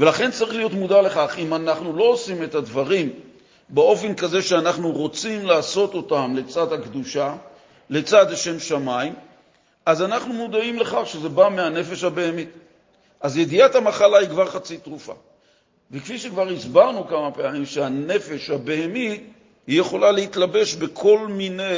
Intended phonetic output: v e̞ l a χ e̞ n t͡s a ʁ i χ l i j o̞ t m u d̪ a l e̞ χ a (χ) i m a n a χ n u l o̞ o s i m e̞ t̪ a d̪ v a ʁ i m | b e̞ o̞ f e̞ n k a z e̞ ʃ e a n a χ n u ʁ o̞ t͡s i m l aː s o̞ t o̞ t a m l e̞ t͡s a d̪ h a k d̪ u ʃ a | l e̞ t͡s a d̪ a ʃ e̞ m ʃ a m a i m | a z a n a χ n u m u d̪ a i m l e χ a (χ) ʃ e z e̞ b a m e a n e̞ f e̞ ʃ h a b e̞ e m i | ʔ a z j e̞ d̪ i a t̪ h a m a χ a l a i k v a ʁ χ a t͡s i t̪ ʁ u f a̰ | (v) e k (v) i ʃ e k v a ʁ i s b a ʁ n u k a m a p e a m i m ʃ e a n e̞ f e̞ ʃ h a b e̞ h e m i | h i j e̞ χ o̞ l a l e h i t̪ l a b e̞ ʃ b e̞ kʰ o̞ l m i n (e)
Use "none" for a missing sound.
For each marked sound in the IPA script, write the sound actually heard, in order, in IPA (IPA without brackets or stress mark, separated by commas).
χ, χ, v, f, e